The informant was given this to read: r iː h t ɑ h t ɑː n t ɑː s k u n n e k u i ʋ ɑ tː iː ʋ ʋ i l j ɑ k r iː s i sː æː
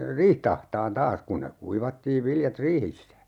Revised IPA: r iː h t ɑ h t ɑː n t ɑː s k u n n e k u i ʋ ɑ tː iː ʋ ʋ i l j ɑ t r iː h i sː æ